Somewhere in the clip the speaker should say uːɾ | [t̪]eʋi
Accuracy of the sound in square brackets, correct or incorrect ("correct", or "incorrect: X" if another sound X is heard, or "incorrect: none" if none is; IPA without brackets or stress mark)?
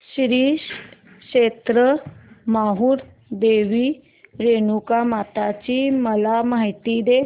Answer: incorrect: d̪